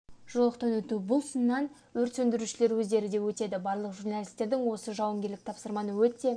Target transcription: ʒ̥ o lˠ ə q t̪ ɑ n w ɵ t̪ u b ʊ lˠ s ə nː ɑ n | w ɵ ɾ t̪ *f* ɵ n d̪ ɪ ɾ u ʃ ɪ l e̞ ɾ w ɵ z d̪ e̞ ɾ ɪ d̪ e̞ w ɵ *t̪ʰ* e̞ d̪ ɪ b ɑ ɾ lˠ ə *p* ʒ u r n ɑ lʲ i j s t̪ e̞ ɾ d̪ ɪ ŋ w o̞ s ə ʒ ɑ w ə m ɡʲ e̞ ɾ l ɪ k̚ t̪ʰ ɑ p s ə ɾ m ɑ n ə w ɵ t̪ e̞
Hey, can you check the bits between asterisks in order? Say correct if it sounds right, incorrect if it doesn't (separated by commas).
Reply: incorrect, incorrect, incorrect